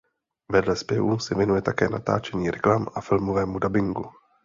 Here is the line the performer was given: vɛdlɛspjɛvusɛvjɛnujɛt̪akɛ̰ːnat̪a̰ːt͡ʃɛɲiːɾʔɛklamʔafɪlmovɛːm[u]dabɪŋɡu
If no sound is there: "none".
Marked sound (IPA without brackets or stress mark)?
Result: u